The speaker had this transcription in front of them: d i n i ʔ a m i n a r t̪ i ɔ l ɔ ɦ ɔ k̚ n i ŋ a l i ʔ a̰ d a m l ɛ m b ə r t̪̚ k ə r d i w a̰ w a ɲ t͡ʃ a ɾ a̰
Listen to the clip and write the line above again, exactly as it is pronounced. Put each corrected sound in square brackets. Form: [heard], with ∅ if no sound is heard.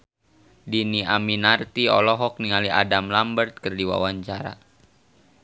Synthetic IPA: d i n i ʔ a m i n a r t̪ i ɔ l ɔ ɦ ɔ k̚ n i ŋ a l i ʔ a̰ d a m l [a] m b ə r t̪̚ k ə r d i w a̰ w a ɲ t͡ʃ a ɾ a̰

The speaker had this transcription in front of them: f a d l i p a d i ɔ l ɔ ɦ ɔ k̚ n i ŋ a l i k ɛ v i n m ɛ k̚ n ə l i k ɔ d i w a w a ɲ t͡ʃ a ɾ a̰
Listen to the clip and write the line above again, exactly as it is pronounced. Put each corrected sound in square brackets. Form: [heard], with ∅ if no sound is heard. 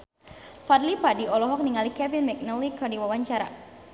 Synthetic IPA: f a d l i p a d i ɔ l ɔ ɦ ɔ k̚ n i ŋ a l i k ɛ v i n m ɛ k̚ n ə l i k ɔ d i w a w a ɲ t͡ʃ a ɾ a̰

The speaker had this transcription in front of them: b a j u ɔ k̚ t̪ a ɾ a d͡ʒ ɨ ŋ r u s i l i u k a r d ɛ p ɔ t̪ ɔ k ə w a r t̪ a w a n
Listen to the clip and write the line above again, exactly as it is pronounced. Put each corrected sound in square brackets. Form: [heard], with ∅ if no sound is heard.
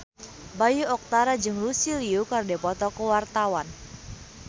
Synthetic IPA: b a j u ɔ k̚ t̪ a ɾ a d͡ʒ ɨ ŋ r u s i l i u k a r d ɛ p ɔ t̪ ɔ k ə w a r t̪ a w a n

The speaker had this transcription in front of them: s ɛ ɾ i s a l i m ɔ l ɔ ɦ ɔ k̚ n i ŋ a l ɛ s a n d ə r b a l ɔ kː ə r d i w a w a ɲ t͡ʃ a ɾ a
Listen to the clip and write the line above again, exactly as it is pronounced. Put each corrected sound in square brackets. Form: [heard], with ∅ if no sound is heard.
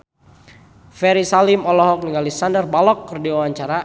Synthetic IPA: [f] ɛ ɾ i s a l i m ɔ l ɔ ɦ ɔ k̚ n i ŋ a l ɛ s a n d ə r b a l ɔ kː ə r d i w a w a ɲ t͡ʃ a ɾ a

